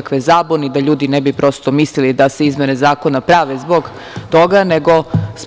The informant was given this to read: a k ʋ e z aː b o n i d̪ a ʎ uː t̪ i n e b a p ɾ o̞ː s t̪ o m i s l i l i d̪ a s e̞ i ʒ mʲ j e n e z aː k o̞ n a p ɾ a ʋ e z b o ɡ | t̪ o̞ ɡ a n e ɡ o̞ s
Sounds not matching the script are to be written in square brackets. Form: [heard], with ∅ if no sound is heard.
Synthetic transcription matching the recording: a k ʋ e z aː b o n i d̪ a ʎ uː [d̪] i n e b [i] p ɾ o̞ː s t̪ o m i s l i l i d̪ a s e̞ i [z] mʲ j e n e z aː k o̞ n a p ɾ a ʋ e z b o ɡ | t̪ o̞ ɡ a n e ɡ o̞ s

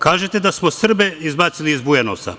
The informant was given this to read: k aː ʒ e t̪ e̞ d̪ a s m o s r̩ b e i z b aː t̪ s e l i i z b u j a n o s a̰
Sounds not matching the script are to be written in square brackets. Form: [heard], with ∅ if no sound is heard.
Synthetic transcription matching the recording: k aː ʒ e t̪ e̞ d̪ a s m o s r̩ b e i z b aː t̪ s [i] l i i z b u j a n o s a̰

